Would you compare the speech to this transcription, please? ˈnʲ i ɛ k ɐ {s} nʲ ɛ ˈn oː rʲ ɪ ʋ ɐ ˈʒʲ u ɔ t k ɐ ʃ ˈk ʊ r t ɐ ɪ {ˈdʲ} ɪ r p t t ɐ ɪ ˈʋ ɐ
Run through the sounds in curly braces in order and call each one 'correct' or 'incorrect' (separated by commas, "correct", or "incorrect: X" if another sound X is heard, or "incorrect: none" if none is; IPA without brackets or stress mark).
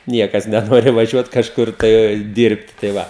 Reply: correct, correct